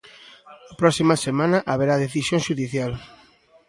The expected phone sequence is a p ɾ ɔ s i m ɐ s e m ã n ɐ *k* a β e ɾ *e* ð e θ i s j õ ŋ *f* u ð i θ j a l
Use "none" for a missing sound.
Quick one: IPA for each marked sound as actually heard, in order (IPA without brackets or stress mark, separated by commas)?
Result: ʔ, a, ʃ